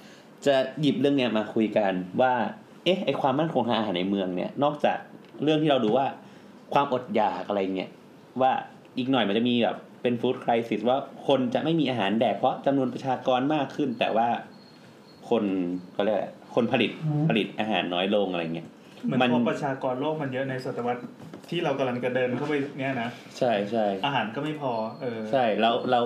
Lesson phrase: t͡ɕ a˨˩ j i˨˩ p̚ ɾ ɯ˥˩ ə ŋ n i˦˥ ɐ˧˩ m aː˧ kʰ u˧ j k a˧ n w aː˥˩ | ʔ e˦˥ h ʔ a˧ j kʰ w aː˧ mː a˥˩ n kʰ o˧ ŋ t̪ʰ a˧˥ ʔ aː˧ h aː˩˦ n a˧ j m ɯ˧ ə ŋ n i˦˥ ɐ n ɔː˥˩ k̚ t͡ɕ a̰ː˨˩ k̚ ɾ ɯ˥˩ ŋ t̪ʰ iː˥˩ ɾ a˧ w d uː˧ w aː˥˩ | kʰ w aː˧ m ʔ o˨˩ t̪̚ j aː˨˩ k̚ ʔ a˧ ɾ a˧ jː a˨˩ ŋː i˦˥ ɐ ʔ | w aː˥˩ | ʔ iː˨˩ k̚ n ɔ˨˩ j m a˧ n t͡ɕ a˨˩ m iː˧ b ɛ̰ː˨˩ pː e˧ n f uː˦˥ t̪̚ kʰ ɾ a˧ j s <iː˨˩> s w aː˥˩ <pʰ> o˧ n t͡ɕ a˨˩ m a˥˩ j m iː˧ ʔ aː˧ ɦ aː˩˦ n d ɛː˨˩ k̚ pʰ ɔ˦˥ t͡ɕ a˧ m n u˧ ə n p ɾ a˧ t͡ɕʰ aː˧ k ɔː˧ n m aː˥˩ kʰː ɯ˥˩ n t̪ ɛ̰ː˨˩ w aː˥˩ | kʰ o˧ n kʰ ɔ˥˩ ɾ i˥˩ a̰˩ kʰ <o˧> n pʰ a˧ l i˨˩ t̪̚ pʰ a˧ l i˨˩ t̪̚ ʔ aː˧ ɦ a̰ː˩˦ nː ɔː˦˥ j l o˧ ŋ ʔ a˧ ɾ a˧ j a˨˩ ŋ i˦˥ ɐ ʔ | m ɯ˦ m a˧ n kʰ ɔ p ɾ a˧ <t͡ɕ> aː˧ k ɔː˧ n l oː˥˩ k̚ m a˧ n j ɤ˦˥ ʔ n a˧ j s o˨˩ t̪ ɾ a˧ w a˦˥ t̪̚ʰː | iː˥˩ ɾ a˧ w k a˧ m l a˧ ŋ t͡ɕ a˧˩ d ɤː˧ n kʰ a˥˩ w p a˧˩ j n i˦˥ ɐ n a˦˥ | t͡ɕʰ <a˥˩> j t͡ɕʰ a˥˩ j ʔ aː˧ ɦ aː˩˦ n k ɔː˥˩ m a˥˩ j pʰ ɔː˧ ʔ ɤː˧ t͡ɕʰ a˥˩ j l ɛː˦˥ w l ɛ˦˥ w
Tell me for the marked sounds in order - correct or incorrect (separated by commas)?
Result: incorrect, incorrect, correct, incorrect, correct